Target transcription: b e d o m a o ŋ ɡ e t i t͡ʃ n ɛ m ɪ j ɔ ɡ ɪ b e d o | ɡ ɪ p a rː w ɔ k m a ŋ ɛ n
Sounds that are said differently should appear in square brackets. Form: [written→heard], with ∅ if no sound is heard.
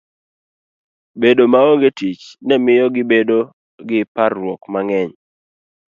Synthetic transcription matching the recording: b e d o m a o ŋ ɡ e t i t͡ʃ n ɛ m ɪ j ɔ ɡ ɪ b e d o | ɡ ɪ p a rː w ɔ k m a ŋ ɛ [n→ɲ]